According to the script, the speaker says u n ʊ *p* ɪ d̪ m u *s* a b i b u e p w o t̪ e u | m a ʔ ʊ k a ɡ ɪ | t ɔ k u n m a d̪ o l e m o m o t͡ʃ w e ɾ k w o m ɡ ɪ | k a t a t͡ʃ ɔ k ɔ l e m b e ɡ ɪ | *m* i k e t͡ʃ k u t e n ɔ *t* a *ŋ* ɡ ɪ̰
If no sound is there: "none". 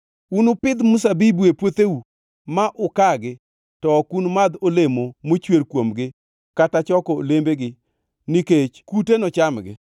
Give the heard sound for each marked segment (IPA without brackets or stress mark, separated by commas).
p, s, n, t͡ʃ, m